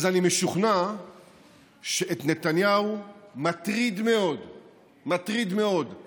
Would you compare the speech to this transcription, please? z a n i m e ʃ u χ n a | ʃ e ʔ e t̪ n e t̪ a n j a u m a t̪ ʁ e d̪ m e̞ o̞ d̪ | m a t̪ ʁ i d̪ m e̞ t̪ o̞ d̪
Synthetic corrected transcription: z a n i m e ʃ u χ n a | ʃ e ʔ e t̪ n e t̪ a n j a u m a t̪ ʁ i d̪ m e̞ o̞ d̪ | m a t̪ ʁ i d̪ m e̞ o̞ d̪